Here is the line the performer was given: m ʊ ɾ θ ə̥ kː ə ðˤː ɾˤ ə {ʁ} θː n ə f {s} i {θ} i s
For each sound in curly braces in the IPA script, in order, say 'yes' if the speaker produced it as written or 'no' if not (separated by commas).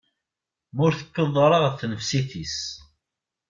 yes, yes, yes